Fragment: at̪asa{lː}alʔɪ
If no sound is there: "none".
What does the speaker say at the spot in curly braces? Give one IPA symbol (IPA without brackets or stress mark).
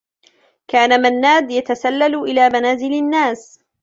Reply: lː